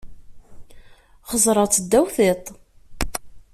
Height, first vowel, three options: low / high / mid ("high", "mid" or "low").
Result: mid